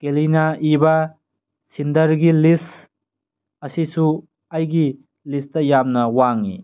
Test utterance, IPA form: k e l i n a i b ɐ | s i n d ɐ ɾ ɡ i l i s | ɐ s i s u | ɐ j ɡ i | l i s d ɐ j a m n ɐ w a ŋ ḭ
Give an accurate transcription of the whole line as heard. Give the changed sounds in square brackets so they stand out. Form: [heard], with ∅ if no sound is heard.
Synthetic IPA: k e l i n a i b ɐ | s i n d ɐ ɾ ɡ i l i s | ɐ s i s u | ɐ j ɡ i | l i s [t] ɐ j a m n ɐ w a ŋ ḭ